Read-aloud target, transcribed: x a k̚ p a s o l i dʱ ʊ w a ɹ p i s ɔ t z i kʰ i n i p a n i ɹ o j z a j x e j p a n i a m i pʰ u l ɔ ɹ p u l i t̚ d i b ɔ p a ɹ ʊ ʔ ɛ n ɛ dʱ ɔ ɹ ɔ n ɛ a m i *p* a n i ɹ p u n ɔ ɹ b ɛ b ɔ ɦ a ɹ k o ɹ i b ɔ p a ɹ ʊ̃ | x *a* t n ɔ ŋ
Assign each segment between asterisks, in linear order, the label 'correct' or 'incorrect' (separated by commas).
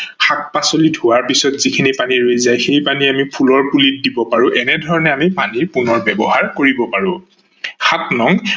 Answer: correct, correct